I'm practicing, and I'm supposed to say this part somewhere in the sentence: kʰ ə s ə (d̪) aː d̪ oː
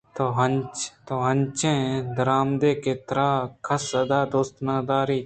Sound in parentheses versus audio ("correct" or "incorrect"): correct